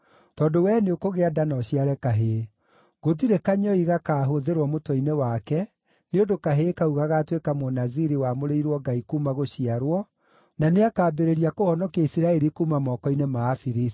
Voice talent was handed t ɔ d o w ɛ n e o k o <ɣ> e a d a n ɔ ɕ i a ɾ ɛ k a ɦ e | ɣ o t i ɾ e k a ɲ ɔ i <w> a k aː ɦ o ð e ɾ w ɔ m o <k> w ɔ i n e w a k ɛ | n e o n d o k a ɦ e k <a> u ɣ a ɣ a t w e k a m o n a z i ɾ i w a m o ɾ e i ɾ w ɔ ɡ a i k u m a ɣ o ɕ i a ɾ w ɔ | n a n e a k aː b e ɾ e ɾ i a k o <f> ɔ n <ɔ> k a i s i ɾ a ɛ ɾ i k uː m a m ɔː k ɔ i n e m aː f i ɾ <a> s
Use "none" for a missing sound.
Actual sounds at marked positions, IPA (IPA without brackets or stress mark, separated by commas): ɣ, ɣ, t, a, h, ɔ, i